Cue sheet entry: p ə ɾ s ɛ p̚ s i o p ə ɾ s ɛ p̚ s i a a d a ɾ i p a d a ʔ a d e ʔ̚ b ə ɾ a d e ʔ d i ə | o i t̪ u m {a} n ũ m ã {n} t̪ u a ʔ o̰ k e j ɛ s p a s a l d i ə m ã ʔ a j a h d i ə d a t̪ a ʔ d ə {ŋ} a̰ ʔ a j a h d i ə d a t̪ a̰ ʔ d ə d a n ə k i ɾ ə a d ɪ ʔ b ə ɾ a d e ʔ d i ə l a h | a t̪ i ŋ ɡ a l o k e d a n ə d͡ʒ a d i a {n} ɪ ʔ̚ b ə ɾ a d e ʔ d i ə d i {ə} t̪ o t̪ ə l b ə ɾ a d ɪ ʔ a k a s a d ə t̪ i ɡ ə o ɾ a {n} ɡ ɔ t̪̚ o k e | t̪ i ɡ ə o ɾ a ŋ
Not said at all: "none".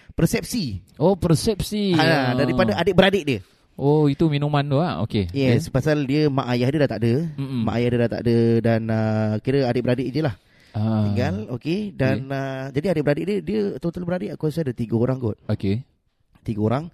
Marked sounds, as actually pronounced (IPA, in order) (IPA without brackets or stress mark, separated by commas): i, n, m, d, ə, ŋ